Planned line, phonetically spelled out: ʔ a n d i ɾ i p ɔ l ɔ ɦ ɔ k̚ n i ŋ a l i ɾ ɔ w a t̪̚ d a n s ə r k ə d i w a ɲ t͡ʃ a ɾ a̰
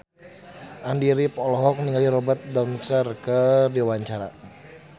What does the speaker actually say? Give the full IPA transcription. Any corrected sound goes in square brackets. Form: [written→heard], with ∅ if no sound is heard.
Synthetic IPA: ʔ a n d i ɾ i p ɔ l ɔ ɦ ɔ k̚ n i ŋ a l i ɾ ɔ [w→b] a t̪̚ d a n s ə r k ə d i w a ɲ t͡ʃ a ɾ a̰